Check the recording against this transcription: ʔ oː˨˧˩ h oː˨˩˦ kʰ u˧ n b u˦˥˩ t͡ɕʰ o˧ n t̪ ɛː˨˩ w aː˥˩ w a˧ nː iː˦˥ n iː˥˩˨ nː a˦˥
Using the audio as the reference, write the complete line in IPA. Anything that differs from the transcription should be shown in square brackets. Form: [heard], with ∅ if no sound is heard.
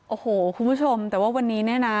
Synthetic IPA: ʔ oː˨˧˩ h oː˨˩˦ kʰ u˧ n b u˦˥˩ t͡ɕʰ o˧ [m] t̪ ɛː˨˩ w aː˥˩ w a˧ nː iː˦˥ n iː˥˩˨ [n] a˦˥